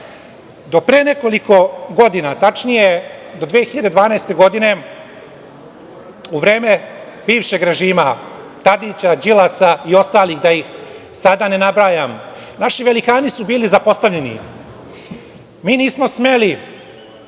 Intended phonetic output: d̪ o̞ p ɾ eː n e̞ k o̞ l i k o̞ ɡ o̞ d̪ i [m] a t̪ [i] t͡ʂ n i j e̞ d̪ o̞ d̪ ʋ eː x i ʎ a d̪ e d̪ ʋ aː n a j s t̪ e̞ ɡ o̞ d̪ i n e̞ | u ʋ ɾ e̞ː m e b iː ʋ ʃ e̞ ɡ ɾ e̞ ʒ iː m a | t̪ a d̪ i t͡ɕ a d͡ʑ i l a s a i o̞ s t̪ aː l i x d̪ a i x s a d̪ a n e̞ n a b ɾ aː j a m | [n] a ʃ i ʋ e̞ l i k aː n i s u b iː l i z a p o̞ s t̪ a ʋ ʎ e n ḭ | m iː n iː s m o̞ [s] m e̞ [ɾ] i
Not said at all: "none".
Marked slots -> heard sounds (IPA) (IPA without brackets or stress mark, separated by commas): n, a, n, s, l